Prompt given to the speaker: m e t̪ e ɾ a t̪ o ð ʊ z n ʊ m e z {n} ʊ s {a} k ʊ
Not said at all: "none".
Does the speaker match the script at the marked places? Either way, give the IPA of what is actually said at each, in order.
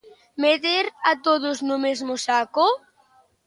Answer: m, a

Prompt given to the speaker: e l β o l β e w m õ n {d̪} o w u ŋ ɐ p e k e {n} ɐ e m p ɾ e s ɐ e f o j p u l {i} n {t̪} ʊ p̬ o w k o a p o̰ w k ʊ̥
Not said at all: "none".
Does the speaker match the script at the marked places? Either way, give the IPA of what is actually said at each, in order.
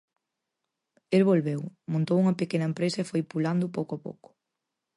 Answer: t̪, n, a, d̪

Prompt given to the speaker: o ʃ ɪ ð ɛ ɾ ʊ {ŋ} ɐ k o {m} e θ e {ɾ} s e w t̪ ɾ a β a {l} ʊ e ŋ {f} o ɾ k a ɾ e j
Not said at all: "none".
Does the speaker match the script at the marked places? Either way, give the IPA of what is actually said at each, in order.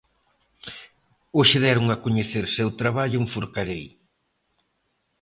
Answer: ŋ, ɲ, ɾ, ʎ, f

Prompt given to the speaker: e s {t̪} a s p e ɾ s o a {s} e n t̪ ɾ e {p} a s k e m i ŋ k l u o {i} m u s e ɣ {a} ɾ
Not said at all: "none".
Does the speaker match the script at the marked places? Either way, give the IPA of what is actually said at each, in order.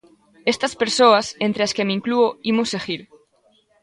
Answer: t̪, s, none, i, i

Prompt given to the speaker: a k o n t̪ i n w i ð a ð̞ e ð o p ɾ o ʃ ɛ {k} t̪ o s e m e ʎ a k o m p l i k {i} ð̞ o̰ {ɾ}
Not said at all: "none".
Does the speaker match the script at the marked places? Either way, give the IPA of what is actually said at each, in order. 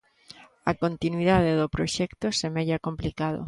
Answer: k, a, none

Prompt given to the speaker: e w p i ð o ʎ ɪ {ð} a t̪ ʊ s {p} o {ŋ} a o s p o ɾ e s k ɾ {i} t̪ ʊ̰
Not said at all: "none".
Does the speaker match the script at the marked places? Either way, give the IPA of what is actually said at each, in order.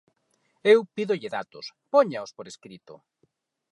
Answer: ð, p, ɲ, i

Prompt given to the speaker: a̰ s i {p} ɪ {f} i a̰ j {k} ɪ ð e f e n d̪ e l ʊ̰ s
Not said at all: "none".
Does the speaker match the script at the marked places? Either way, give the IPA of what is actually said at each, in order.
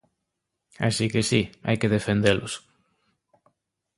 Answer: k, s, k

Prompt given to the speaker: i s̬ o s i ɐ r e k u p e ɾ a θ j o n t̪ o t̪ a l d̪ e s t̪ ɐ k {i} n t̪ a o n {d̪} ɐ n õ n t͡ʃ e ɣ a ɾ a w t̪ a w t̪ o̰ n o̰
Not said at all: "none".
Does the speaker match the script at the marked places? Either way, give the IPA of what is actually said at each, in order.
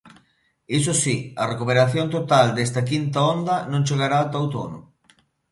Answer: i, d̪

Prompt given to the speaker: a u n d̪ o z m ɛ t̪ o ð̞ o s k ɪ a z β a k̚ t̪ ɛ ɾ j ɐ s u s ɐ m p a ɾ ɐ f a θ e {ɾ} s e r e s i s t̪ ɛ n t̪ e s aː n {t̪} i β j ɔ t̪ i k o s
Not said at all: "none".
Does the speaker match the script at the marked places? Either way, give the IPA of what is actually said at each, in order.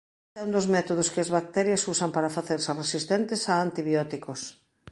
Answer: ɾ, t̪

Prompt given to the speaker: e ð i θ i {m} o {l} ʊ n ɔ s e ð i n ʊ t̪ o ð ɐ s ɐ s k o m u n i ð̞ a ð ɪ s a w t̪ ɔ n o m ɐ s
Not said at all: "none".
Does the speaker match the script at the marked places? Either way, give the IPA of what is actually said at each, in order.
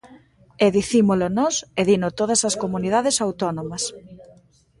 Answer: m, l

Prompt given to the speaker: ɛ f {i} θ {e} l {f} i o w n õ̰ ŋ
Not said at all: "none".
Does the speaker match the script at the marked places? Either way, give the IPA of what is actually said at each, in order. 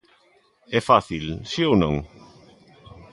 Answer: a, i, s

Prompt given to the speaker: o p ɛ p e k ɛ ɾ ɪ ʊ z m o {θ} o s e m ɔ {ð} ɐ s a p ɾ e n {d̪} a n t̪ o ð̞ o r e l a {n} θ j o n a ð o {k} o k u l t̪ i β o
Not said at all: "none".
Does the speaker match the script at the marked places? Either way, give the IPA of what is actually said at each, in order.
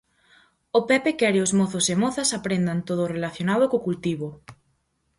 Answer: θ, θ, d̪, none, k

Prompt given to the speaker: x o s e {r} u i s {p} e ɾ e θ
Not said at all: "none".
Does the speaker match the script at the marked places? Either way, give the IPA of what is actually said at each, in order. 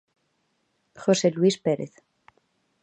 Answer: l, p

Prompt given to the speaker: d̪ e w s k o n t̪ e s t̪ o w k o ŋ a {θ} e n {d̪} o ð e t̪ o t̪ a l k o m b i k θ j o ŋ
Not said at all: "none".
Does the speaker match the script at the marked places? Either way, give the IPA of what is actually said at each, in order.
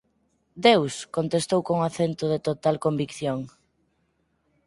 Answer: θ, t̪

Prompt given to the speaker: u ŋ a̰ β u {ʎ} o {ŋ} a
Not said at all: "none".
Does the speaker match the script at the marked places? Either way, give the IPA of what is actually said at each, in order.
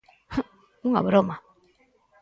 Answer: ɾ, m

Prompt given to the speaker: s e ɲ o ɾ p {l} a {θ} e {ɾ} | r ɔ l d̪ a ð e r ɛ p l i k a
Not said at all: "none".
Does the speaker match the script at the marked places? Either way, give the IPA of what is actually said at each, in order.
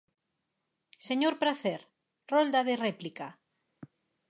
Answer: ɾ, θ, ɾ

